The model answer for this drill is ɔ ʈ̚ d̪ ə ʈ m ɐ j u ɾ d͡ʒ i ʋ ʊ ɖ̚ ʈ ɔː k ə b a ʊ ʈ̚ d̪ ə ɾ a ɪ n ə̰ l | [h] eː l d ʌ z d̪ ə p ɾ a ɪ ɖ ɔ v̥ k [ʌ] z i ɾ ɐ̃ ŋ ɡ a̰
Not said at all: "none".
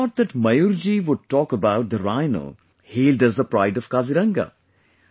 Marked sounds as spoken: h, a

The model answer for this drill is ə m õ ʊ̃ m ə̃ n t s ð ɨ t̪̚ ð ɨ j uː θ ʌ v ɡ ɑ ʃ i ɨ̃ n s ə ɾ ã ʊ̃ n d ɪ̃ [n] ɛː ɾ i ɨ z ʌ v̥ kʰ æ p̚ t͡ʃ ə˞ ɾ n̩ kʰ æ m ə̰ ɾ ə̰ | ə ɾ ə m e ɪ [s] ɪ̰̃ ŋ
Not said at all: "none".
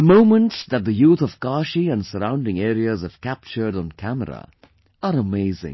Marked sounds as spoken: ŋ, z

